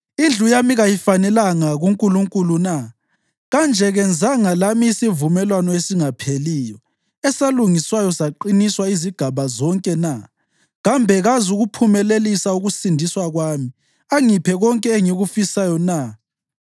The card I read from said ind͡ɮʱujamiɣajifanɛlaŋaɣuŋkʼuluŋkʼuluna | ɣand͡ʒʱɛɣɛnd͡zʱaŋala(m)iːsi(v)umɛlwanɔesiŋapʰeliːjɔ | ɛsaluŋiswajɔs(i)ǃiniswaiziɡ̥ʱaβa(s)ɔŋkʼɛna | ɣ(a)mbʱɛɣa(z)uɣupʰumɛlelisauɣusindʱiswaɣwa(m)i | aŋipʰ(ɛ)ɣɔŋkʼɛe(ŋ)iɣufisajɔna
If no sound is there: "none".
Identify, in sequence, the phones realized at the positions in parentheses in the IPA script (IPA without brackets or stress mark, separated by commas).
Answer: m, v, a, z, a, z, m, ɛ, ŋ